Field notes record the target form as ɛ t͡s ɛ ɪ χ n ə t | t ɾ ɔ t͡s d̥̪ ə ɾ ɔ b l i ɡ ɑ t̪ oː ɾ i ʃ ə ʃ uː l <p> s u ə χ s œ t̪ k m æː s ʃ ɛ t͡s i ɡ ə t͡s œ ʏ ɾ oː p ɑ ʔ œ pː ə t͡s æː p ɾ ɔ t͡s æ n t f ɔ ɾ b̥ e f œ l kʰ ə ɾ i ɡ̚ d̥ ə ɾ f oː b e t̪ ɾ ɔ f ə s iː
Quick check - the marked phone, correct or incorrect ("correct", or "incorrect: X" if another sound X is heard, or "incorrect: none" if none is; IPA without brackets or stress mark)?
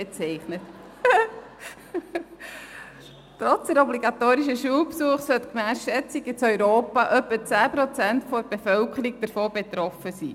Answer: correct